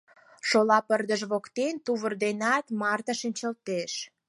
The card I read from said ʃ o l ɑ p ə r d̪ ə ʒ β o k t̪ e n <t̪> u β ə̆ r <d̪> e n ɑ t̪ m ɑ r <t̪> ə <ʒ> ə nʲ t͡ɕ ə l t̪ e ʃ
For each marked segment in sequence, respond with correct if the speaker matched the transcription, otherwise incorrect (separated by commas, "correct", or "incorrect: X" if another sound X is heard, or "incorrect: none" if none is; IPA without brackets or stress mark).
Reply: correct, correct, correct, incorrect: ʃ